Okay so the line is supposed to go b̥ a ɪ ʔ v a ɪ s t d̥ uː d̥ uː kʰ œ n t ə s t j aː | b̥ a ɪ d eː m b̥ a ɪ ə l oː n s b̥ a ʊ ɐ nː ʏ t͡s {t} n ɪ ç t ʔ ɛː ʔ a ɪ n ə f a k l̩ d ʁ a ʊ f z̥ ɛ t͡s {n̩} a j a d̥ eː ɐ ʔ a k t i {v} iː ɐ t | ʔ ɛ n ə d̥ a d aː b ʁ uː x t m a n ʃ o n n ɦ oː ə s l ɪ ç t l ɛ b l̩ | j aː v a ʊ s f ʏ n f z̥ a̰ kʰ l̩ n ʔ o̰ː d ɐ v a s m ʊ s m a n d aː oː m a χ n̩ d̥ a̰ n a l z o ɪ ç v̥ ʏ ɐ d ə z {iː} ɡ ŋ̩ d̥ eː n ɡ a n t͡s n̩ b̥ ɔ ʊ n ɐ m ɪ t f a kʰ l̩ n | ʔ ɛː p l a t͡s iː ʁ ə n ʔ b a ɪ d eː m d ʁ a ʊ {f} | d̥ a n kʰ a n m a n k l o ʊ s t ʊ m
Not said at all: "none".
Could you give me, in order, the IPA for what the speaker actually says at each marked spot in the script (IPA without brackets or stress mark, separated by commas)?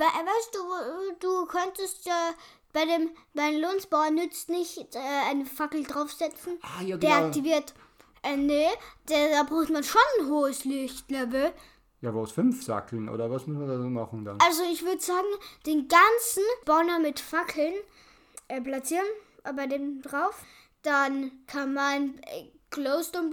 t, n̩, v, aː, f